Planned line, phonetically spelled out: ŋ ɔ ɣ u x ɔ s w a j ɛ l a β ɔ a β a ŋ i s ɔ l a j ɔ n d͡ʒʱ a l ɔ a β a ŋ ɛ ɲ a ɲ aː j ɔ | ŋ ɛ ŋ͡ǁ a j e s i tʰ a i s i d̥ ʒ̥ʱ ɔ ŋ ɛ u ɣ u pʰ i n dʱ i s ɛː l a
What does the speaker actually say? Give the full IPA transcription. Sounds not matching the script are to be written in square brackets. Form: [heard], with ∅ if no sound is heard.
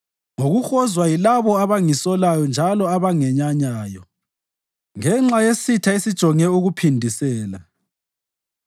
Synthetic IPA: ŋ [o] ɣ u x ɔ [z] w a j [i] l a β ɔ a β a ŋ i s ɔ l a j ɔ n d͡ʒʱ a l ɔ a β a ŋ ɛ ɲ a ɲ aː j ɔ | ŋ ɛ ŋ͡ǁ a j e s i tʰ a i s i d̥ ʒ̥ʱ ɔ ŋ ɛ u ɣ u pʰ i n dʱ i s ɛː l a